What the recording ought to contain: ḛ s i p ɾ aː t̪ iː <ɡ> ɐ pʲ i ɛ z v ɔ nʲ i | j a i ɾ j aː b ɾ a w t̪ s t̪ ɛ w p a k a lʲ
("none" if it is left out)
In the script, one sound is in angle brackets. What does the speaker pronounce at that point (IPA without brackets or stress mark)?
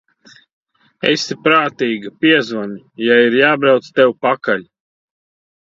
ɡ